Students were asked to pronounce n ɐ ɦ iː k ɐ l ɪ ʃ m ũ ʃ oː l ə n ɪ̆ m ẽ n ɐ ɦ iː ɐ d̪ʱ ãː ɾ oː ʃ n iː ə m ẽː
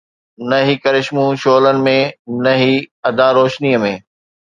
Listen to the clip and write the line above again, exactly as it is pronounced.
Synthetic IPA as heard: n ɐ ɦ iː k ɐ ɾ ɪ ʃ m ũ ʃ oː l ə n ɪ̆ m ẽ n ɐ ɦ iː ɐ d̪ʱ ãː ɾ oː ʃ n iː ə m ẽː